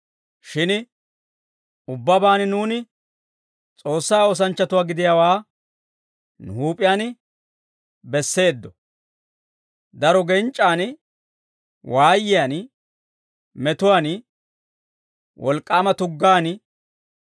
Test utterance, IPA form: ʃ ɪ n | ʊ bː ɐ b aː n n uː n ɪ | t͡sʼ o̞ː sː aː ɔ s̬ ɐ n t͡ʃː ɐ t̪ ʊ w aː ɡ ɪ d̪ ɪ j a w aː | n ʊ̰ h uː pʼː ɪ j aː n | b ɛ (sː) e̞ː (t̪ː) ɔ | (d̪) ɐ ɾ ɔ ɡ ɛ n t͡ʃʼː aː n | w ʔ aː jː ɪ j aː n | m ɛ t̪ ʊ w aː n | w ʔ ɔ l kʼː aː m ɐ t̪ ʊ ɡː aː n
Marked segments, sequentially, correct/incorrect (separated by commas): correct, incorrect, correct